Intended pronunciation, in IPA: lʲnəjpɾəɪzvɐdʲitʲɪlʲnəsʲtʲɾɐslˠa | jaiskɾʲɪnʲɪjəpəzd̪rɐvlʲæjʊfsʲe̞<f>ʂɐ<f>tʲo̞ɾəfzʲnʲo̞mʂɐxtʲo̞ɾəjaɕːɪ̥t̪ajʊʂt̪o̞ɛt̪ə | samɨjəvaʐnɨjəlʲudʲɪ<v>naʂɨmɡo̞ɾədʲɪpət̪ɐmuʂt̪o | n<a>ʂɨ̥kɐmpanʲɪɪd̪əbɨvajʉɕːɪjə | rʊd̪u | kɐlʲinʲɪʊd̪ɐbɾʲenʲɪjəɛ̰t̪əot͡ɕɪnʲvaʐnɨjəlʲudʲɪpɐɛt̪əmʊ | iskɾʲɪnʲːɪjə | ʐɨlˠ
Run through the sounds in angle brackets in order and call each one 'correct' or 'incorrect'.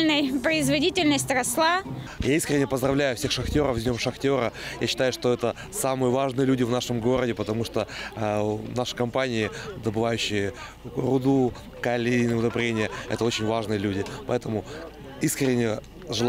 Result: incorrect, incorrect, correct, correct

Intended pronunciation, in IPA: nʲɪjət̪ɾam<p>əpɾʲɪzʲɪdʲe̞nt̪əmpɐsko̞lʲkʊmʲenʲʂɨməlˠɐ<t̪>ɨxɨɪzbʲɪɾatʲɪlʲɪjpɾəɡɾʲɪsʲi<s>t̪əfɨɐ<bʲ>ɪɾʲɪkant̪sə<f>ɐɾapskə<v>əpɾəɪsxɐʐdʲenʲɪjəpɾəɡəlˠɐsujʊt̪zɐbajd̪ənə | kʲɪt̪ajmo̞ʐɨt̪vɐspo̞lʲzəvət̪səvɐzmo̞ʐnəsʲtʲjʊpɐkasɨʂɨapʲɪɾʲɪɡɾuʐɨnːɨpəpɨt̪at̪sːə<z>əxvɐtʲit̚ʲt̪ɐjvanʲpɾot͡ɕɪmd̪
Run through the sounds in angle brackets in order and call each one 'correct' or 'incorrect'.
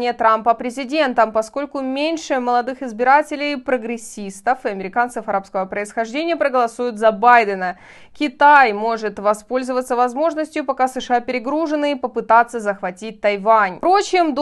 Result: correct, incorrect, correct, incorrect, correct, correct, correct

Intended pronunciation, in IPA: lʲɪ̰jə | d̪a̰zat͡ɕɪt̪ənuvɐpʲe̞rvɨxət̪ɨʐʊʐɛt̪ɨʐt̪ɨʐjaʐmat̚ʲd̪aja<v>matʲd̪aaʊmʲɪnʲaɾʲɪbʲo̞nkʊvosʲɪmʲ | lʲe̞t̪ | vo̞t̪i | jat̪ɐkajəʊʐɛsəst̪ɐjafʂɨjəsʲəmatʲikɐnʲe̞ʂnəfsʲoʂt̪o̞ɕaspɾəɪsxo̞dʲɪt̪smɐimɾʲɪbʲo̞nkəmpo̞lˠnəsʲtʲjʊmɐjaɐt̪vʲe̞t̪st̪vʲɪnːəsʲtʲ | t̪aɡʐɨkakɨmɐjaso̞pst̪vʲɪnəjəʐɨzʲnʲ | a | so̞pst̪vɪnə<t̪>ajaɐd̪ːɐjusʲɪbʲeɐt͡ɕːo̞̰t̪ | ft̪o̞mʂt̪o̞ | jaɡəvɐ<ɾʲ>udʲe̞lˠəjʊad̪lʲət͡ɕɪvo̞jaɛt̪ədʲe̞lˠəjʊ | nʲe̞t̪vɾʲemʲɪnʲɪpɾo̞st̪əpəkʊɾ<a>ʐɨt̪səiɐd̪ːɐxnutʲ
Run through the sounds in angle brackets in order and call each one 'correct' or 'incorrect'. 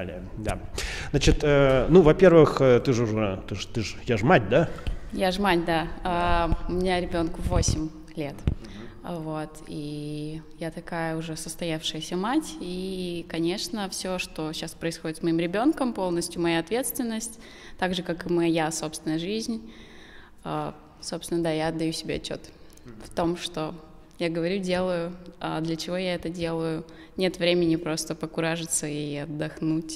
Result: incorrect, incorrect, correct, correct

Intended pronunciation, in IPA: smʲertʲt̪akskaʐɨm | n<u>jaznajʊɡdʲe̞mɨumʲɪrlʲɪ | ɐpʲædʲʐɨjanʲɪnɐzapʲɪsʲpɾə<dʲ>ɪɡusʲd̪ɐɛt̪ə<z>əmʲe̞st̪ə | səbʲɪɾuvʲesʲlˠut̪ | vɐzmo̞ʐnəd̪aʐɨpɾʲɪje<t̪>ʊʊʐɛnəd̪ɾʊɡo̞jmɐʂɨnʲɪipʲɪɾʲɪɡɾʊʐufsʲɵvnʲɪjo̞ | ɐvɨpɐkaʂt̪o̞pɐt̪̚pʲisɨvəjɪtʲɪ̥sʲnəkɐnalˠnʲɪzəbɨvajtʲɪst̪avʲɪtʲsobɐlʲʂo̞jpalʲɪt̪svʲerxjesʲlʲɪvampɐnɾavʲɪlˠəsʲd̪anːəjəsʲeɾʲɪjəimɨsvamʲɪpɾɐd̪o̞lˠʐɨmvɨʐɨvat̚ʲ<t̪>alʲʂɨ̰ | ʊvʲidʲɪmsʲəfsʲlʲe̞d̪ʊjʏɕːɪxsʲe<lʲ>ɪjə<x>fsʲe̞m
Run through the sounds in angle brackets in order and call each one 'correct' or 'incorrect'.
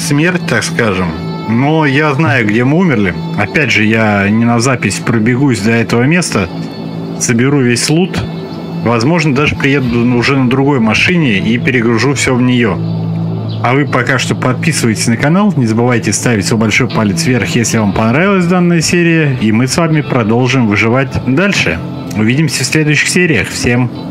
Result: incorrect, incorrect, incorrect, incorrect, incorrect, incorrect, correct

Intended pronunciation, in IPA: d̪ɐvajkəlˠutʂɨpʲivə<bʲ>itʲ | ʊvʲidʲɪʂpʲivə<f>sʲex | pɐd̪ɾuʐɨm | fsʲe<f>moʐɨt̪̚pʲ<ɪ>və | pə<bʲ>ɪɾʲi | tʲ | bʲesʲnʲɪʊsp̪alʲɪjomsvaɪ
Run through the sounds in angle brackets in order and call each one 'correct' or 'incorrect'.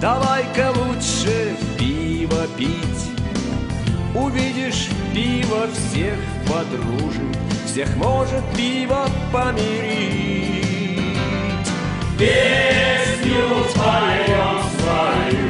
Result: incorrect, correct, incorrect, incorrect, incorrect

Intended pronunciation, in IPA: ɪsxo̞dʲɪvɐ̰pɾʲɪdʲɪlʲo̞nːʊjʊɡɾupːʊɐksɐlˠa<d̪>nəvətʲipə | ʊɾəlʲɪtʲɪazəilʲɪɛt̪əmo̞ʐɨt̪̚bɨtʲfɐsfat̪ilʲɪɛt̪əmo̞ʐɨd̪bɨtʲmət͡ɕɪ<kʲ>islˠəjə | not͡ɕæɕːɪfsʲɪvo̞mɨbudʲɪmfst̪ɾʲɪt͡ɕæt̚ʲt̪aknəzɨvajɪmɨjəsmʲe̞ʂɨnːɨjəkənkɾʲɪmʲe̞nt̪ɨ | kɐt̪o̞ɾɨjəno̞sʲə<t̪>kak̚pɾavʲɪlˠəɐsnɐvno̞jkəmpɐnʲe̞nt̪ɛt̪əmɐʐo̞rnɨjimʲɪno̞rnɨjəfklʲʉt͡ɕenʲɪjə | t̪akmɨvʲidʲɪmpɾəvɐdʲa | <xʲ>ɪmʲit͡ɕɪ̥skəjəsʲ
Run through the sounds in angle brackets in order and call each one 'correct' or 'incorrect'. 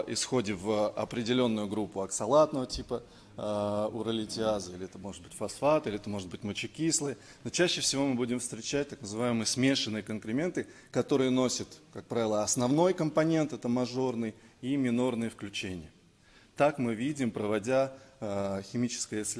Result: incorrect, correct, correct, correct

